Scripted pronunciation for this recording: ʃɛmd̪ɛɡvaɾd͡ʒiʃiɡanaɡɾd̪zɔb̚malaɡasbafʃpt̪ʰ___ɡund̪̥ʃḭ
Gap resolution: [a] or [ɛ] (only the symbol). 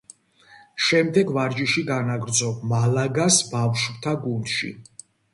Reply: a